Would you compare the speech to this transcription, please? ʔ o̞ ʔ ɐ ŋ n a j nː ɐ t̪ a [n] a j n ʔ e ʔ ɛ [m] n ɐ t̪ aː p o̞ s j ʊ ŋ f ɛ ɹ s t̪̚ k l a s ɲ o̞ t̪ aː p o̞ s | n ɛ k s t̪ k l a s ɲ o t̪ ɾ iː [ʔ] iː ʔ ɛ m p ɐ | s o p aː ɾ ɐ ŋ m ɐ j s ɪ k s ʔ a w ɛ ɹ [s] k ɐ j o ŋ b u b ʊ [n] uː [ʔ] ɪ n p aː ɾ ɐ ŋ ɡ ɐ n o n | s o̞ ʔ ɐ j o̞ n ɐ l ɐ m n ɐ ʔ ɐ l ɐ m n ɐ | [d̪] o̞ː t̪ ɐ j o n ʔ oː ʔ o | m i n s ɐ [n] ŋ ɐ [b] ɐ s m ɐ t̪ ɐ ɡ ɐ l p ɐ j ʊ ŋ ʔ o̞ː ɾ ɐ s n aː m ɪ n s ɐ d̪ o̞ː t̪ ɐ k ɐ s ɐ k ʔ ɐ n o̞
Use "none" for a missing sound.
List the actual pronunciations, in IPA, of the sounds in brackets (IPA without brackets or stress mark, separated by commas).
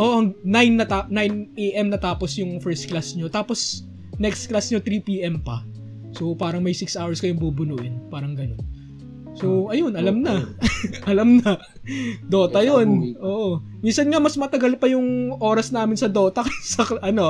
n, m, p, s, n, ʔ, d̪, n, m